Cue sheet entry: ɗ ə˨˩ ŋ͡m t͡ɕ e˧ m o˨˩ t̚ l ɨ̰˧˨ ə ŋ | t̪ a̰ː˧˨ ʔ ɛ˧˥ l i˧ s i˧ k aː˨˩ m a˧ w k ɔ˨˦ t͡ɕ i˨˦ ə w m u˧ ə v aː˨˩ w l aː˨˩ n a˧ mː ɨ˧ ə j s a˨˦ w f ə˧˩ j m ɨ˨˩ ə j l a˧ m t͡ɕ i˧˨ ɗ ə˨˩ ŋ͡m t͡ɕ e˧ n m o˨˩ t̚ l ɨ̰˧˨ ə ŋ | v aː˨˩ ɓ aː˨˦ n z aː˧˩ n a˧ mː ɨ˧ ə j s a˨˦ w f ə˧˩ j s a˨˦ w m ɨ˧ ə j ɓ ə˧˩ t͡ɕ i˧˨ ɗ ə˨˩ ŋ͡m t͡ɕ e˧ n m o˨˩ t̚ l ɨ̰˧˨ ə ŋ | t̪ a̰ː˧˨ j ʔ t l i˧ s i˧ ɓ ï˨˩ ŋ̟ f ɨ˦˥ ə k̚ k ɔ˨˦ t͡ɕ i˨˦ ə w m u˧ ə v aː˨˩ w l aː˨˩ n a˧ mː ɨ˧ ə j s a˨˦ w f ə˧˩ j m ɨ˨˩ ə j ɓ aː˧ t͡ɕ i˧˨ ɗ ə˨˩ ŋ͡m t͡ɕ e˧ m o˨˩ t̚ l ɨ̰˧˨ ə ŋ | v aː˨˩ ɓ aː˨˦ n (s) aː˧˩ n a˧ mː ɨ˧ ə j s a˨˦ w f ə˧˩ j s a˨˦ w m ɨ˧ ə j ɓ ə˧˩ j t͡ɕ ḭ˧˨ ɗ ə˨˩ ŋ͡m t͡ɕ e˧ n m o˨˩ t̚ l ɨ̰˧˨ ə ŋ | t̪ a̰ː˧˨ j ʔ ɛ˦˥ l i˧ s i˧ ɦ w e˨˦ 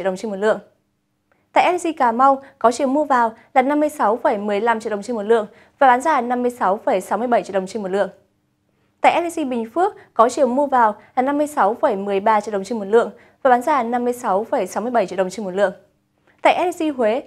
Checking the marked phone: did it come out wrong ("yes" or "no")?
yes